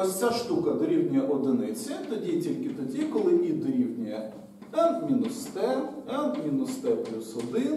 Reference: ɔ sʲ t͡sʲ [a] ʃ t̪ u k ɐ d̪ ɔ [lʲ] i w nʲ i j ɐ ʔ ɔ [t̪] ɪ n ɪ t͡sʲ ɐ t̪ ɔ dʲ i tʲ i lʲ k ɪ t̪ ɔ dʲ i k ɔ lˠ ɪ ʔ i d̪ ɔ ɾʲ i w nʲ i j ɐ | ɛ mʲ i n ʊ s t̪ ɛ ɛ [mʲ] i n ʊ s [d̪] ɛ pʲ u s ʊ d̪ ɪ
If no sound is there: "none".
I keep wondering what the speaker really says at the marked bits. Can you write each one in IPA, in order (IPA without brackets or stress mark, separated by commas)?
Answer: a, ɾʲ, d̪, mʲ, t̪